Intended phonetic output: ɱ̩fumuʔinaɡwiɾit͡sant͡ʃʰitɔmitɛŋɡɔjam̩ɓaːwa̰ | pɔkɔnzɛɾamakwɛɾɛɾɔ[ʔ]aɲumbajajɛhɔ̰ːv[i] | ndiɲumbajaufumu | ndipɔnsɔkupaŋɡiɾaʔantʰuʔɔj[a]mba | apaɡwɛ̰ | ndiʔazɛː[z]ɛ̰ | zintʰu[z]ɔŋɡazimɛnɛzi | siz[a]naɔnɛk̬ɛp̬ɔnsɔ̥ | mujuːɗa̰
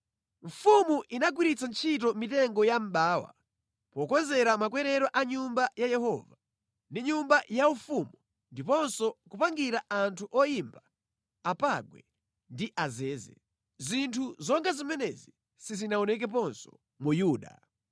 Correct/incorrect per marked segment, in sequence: correct, incorrect, incorrect, correct, correct, incorrect

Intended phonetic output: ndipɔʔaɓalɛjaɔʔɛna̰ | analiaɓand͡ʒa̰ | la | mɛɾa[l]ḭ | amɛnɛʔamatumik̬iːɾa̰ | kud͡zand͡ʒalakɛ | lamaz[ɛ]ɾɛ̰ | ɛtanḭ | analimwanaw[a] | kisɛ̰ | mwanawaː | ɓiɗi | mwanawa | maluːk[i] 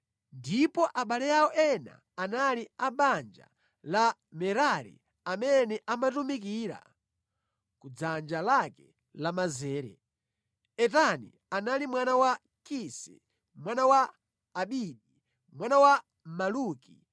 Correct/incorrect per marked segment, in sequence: incorrect, incorrect, correct, correct

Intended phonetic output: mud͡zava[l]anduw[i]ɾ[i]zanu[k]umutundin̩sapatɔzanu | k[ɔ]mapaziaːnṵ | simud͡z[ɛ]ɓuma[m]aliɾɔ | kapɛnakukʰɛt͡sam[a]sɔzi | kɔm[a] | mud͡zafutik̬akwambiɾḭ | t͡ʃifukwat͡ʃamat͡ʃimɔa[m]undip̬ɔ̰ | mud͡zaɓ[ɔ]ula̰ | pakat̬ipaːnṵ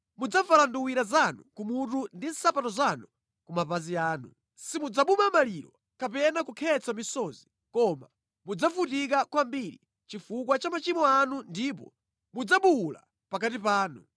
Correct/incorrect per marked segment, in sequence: correct, correct, incorrect, correct, incorrect, incorrect, correct, incorrect, correct, incorrect, incorrect

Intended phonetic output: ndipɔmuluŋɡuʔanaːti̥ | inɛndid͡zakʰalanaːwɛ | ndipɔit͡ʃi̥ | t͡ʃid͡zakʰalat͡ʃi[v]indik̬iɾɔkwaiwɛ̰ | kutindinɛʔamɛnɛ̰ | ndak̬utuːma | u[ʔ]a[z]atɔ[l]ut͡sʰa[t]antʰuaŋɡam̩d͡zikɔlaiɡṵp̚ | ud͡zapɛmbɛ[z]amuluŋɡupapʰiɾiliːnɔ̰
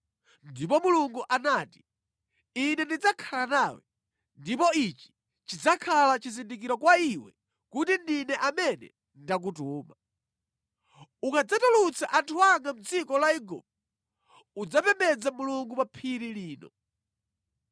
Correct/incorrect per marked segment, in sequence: incorrect, incorrect, incorrect, correct, incorrect, incorrect

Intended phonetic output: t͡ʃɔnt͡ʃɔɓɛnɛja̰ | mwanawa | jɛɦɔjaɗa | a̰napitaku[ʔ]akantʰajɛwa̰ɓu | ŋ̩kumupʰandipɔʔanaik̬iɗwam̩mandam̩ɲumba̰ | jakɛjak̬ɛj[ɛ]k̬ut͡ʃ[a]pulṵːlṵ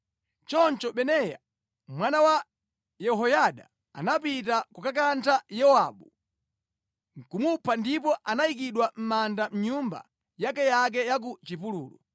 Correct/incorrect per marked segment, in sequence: incorrect, incorrect, incorrect

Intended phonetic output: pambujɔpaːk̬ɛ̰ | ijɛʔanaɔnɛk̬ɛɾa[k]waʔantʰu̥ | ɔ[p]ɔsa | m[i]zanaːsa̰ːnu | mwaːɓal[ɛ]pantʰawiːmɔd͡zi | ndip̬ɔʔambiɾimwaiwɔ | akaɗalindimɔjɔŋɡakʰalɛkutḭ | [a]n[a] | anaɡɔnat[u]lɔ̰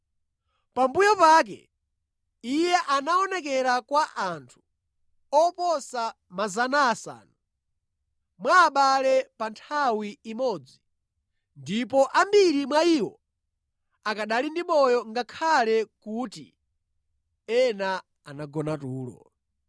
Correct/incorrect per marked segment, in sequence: correct, correct, incorrect, correct, incorrect, correct, incorrect

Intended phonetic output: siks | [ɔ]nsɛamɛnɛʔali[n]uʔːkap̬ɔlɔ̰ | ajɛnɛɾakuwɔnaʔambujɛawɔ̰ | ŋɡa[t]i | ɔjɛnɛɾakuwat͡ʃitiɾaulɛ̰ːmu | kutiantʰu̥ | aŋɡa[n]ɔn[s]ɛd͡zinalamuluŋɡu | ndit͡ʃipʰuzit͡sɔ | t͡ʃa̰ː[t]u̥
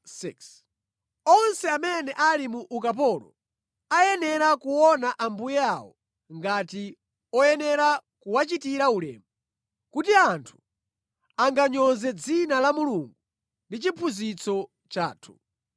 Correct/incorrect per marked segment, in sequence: correct, incorrect, correct, incorrect, incorrect, incorrect

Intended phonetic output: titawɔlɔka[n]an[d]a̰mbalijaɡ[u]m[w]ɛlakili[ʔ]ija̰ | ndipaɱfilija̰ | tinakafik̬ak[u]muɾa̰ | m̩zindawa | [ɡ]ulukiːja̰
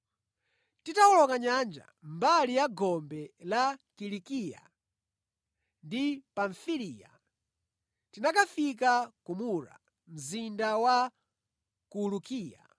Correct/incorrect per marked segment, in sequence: incorrect, incorrect, incorrect, incorrect, incorrect, correct, incorrect

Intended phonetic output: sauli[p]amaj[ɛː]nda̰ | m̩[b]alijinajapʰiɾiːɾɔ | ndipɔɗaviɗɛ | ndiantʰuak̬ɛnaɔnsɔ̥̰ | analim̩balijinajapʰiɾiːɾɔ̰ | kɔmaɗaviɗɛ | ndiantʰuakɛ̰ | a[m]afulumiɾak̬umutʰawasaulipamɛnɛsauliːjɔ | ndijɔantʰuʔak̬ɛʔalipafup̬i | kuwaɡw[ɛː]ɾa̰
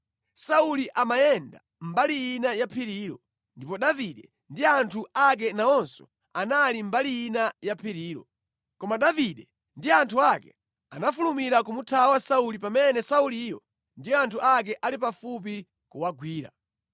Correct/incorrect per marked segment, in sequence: incorrect, incorrect, correct, incorrect, incorrect

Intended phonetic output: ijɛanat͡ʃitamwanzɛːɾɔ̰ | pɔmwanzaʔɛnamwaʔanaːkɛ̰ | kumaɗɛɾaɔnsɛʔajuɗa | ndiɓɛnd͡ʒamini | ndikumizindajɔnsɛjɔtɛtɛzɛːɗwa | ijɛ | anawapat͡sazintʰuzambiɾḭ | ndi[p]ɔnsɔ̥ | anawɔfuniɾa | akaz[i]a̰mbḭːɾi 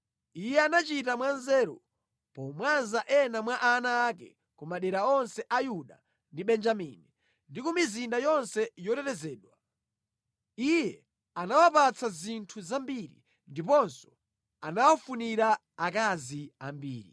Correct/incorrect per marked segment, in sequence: correct, correct

